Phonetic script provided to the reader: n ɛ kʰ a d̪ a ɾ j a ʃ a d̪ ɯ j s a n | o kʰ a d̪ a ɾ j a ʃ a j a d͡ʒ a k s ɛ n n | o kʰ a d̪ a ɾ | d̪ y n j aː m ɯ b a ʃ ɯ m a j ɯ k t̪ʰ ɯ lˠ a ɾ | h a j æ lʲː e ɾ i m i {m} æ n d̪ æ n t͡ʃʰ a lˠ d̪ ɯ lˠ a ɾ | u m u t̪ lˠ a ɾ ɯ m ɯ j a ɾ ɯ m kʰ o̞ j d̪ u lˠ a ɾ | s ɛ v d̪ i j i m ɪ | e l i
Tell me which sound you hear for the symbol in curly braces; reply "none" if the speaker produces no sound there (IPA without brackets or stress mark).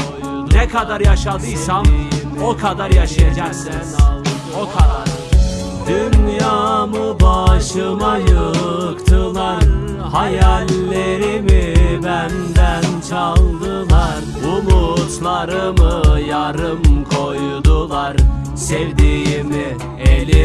b